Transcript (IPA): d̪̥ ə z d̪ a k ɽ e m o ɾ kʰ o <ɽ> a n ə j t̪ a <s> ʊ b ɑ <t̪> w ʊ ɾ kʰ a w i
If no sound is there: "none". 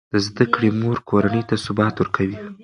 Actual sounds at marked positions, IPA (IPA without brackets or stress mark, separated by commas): ɾ, s, t̪